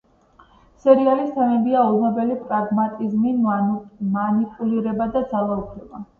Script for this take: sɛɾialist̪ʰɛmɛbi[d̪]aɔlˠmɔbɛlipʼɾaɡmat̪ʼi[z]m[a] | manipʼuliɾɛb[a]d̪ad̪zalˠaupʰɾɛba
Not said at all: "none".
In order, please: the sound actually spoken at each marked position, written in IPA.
none, z, i, a

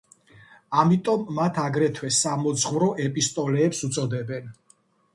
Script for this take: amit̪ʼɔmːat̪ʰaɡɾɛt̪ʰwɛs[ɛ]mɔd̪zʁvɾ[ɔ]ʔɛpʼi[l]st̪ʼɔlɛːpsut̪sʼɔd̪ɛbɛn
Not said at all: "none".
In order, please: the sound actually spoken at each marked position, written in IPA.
a, ɔ, none

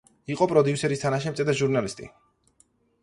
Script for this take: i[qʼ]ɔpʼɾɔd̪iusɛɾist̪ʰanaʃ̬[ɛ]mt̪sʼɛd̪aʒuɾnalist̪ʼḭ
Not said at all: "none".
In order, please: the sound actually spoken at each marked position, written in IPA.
qʼ, ɛ

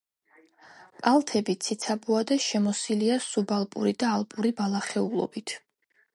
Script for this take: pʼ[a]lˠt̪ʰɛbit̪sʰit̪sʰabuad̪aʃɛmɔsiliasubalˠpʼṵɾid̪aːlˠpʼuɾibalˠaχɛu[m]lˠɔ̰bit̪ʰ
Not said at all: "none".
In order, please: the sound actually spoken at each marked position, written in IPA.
a, none

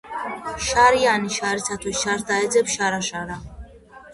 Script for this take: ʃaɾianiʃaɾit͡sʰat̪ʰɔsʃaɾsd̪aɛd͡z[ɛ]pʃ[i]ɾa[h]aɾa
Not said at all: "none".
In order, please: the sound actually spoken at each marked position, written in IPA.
ɛ, a, ʃ

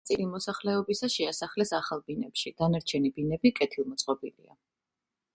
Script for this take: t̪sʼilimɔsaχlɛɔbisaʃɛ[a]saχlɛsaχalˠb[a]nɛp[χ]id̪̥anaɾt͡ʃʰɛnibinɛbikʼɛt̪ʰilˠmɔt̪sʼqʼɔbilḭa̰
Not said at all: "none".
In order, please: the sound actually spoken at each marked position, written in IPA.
a, i, ʃ

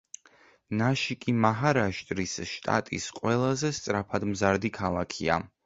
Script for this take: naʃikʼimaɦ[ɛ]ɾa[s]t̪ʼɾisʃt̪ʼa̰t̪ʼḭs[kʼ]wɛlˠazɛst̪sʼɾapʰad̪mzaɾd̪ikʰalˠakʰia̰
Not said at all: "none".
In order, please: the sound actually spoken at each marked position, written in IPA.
a, ʃ, qʼ

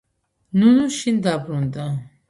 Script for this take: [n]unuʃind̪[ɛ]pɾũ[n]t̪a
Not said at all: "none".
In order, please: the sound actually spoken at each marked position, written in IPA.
n, a, n

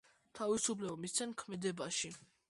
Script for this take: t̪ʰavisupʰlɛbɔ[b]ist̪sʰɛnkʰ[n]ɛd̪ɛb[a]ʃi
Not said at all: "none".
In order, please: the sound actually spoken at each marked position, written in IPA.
m, m, a

